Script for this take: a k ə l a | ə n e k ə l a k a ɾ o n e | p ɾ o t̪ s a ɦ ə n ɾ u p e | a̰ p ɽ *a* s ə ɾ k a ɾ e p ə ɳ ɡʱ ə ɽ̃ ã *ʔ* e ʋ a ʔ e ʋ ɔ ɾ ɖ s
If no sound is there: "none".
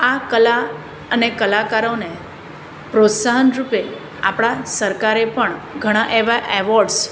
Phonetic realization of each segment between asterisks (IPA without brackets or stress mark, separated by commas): a, ʔ